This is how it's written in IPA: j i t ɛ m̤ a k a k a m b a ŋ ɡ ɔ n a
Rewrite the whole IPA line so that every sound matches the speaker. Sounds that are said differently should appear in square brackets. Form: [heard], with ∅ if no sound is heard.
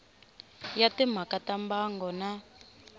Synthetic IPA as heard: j [a] t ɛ m̤ a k a [t] a m b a ŋ ɡ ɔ n a